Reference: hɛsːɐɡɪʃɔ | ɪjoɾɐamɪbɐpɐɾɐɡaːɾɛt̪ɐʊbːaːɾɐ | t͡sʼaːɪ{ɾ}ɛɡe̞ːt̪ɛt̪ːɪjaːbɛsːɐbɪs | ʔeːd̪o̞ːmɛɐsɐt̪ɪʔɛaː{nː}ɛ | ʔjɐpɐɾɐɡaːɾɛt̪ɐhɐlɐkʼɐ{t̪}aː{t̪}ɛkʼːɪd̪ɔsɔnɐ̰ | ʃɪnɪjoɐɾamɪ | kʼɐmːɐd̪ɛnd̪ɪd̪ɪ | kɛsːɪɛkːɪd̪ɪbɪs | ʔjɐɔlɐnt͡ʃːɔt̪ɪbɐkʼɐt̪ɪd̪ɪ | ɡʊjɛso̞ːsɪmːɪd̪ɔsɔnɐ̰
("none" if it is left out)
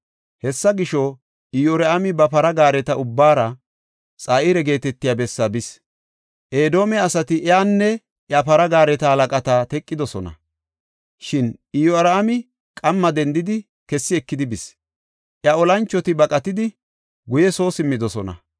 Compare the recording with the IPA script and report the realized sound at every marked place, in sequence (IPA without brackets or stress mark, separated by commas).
ɾ, nː, t̪, t̪